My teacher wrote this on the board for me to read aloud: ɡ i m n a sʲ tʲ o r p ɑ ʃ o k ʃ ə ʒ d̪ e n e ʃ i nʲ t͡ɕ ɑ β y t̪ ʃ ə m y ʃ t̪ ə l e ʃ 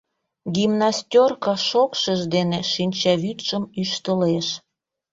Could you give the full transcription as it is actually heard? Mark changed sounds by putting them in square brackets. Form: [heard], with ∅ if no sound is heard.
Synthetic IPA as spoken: ɡ i m n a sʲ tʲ o r [k] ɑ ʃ o k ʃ ə ʒ d̪ e n e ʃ i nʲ t͡ɕ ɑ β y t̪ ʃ ə m y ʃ t̪ ə l e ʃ